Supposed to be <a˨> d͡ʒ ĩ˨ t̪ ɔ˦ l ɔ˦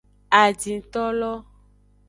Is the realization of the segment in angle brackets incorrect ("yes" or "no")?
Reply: no